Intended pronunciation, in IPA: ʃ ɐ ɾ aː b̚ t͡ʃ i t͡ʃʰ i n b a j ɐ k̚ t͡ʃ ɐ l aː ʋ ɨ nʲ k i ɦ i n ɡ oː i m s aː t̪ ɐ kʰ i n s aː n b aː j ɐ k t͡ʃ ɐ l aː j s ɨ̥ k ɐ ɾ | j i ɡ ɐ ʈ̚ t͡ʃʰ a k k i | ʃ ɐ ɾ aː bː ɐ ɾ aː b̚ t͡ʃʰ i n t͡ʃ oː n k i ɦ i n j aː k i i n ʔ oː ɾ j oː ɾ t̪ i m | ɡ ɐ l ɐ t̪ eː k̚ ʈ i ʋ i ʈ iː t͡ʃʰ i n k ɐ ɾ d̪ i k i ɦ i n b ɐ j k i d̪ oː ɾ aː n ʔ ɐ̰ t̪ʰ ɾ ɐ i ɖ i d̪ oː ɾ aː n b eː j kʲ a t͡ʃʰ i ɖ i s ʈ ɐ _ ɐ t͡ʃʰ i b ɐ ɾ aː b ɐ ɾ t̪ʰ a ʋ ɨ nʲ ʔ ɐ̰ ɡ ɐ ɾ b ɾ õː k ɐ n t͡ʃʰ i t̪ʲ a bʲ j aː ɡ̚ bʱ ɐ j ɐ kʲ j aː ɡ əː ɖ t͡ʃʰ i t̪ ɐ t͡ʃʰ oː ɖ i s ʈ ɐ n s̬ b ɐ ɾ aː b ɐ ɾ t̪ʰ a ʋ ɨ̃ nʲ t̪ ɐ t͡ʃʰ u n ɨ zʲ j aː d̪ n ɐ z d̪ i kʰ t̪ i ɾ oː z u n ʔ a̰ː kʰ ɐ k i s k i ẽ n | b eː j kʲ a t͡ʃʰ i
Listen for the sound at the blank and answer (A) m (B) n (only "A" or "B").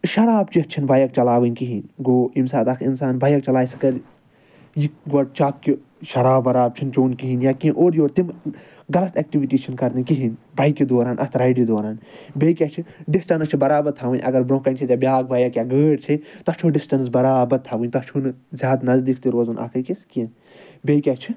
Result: B